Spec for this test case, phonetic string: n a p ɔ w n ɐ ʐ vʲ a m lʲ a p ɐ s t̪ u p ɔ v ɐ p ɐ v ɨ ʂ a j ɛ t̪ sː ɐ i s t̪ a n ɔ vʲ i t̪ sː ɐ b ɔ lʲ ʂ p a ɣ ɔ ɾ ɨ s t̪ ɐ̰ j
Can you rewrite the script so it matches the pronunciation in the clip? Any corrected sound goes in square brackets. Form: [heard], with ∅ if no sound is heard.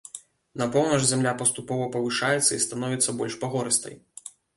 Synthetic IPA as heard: n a p ɔ w n ɐ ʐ [zʲ] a m lʲ a p ɐ s t̪ u p ɔ v ɐ p ɐ v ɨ ʂ a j ɛ t̪ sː ɐ i s t̪ a n ɔ vʲ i t̪ sː ɐ b ɔ lʲ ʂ p a ɣ ɔ ɾ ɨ s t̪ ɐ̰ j